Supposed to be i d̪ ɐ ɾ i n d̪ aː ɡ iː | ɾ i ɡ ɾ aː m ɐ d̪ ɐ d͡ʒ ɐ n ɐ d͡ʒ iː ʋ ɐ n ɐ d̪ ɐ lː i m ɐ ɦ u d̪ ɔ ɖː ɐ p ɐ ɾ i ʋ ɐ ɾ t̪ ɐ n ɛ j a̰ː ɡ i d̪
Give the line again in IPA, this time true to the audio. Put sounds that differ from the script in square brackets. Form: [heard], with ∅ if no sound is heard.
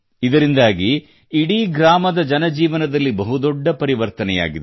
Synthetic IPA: i d̪ ɐ ɾ i n d̪ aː ɡ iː | [ɽ] i ɡ ɾ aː m ɐ d̪ ɐ d͡ʒ ɐ n ɐ d͡ʒ iː ʋ ɐ n ɐ d̪ ɐ lː i [b] ɐ ɦ u d̪ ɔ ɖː ɐ p ɐ ɾ i ʋ ɐ ɾ t̪ ɐ n ɛ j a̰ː ɡ i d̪

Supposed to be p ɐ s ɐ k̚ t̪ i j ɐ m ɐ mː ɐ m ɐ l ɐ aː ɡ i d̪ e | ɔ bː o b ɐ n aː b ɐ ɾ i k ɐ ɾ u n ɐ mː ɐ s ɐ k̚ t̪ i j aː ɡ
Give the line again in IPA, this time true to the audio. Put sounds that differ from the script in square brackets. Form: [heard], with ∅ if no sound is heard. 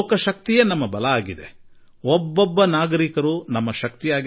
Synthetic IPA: [k] ɐ [ʃ] ɐ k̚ t̪ i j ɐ [n] ɐ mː ɐ [b] ɐ l ɐ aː ɡ i d̪ e | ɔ bː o [bː] ɐ n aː [ɡ] ɐ ɾ i k ɐ ɾ u n ɐ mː ɐ [ʃ] ɐ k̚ t̪ i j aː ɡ

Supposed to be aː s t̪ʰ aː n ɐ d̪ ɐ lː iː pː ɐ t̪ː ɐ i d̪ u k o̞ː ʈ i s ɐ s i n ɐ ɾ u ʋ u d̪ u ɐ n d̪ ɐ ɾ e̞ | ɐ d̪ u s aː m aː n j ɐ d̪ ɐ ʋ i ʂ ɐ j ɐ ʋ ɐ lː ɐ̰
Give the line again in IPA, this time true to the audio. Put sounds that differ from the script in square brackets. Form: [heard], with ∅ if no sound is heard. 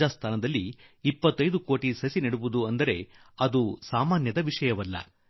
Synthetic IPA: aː s t̪ʰ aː n ɐ d̪ ɐ lː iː pː ɐ t̪ː ɐ [j] d̪ u k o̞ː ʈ i s ɐ s i n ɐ [ɽ] u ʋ u d̪ u ɐ n d̪ ɐ ɾ e̞ | ɐ d̪ u s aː m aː n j ɐ d̪ ɐ ʋ i ʂ ɐ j ɐ ʋ ɐ lː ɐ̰

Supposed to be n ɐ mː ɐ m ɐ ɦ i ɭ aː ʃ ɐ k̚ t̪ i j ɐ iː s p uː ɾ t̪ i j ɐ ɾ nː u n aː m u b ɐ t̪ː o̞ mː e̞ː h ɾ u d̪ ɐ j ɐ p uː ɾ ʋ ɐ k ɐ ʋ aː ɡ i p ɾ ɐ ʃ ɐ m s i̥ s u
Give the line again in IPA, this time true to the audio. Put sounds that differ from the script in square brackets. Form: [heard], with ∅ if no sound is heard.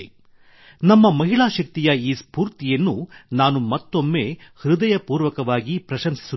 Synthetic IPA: n ɐ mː ɐ m ɐ ɦ i ɭ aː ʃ ɐ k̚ t̪ i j ɐ iː s p uː ɾ t̪ i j ɐ [∅] nː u n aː [n] u [m] ɐ t̪ː o̞ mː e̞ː h ɾ u d̪ ɐ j ɐ p uː ɾ ʋ ɐ k ɐ ʋ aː ɡ i p ɾ ɐ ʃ ɐ m s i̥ s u

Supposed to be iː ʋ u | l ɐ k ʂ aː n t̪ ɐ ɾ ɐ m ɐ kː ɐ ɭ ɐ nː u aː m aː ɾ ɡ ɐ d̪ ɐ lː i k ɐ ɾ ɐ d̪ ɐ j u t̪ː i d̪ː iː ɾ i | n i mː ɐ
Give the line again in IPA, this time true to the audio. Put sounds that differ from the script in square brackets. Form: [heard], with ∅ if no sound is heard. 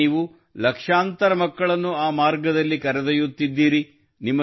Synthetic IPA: iː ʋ u | l ɐ k ʂ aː n t̪ ɐ ɾ ɐ m ɐ kː ɐ ɭ ɐ nː u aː m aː ɾ ɡ ɐ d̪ ɐ lː i k ɐ ɾ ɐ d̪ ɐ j u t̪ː i d̪ː iː ɾ i | n i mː ɐ

